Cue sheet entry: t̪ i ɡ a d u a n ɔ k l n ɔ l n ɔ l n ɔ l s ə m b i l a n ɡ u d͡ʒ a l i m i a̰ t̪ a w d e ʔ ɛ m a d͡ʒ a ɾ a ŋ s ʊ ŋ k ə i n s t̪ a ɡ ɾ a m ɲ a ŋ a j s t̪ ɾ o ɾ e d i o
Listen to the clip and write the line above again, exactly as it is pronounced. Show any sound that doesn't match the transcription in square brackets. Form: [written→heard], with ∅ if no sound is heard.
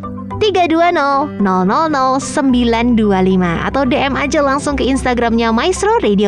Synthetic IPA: t̪ i ɡ a d u a n ɔ [k→∅] l n ɔ l n ɔ l n ɔ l s ə m b i l a n [ɡ→d] u [d͡ʒ→∅] a l i m [i→a] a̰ t̪ a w d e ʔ ɛ m a d͡ʒ a [ɾ→l] a ŋ s ʊ ŋ k ə i n s t̪ a ɡ ɾ a m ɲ a [ŋ→m] a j s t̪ ɾ o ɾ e d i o